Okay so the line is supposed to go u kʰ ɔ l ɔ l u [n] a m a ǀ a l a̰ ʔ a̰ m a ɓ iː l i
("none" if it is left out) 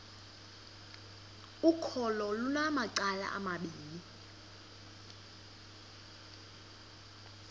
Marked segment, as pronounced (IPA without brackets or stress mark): n